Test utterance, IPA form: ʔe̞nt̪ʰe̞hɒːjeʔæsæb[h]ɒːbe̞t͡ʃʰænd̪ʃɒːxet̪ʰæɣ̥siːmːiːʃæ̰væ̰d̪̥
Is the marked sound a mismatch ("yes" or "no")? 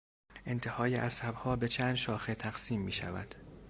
no